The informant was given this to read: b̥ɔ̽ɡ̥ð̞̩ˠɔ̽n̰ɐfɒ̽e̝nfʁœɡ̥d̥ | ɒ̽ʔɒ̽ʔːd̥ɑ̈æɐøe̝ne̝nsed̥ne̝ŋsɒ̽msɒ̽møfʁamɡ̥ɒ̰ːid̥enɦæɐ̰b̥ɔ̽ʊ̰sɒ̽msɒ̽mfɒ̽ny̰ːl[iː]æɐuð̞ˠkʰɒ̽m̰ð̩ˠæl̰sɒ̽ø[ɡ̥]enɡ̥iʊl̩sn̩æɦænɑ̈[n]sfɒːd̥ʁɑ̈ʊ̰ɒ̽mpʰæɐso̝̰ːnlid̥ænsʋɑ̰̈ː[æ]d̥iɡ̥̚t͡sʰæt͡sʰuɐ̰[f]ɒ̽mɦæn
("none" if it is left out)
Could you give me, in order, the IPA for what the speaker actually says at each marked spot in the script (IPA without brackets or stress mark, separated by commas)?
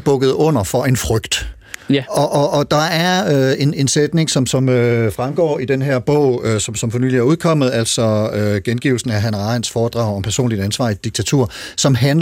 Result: i, ɡ̥, n, i, s